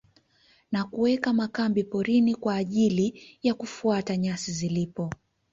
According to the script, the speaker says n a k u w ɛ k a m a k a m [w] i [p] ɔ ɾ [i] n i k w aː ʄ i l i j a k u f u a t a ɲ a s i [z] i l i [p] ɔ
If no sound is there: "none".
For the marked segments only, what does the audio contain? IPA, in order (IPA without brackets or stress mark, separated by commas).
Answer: b, p, i, z, p